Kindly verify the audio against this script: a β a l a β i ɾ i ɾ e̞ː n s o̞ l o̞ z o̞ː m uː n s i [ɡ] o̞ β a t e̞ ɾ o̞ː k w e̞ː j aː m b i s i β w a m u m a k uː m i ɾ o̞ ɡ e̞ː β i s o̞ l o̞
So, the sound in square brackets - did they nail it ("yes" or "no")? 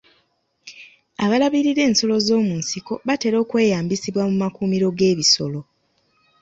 no